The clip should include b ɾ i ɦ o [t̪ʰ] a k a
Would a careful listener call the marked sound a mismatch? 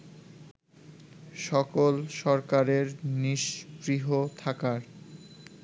no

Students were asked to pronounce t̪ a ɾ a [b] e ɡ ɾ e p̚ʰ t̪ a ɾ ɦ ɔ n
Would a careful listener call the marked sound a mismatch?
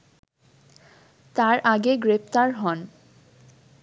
yes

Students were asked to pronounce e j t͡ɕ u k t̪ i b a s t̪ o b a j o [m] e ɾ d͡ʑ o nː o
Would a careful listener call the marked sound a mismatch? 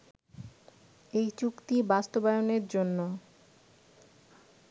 yes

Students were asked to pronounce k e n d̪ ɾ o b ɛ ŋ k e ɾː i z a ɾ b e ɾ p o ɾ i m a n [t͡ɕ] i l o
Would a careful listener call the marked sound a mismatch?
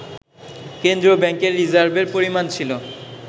yes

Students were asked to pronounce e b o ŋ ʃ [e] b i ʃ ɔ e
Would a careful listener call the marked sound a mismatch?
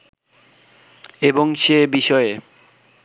no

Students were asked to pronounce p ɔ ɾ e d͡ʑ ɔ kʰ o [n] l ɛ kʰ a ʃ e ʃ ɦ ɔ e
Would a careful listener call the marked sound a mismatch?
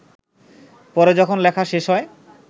no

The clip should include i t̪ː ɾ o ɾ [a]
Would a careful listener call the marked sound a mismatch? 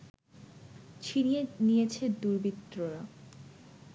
no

